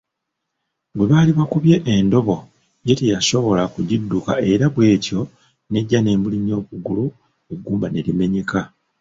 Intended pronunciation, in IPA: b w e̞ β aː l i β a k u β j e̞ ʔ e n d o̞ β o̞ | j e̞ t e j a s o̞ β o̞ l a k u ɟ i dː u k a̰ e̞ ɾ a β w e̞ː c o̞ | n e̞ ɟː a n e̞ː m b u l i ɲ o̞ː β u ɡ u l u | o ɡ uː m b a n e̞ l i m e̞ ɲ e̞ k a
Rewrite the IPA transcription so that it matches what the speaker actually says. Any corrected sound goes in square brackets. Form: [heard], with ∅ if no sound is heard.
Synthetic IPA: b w e̞ β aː l i β a k u β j e̞ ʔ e n d o̞ β o̞ | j e̞ t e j a s o̞ β o̞ l a k u ɟ i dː u k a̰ e̞ ɾ a β w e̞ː c o̞ | n e̞ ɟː a n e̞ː m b u l i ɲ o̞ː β u ɡ u l u | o ɡ uː m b a n e̞ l i m e̞ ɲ e̞ k a